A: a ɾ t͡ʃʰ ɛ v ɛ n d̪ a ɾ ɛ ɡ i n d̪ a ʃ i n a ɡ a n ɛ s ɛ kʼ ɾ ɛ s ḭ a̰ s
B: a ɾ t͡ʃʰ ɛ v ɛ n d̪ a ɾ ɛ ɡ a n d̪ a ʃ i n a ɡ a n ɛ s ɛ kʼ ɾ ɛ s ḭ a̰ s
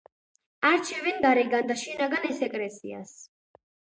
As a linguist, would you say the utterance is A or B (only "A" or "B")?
B